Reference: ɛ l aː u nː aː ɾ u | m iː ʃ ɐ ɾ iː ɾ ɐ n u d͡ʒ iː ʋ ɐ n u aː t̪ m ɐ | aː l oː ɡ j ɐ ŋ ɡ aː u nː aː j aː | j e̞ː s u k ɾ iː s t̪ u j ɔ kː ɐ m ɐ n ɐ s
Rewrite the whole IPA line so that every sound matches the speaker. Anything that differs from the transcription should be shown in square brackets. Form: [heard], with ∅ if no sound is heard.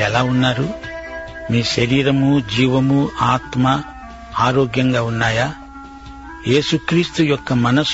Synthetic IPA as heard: ɛ l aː u nː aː ɾ u | m iː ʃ ɐ ɾ iː ɾ ɐ [m] u d͡ʒ iː ʋ ɐ [m] u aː t̪ m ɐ | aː [ɾ] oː ɡ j ɐ ŋ ɡ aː u nː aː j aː | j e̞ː s u k ɾ iː s t̪ u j ɔ kː ɐ m ɐ n ɐ s